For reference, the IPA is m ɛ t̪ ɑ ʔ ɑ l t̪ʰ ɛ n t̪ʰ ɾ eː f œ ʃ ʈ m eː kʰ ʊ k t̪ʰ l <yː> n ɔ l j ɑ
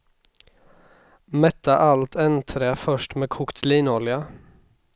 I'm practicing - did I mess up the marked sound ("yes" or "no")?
yes